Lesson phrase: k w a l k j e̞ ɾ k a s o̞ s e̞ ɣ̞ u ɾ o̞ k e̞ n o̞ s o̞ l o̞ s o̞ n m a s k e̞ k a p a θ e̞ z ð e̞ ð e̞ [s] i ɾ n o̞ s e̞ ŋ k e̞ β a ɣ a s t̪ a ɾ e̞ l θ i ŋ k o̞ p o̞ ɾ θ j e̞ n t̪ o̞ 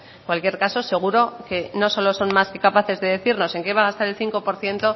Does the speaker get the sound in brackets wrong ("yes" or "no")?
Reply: yes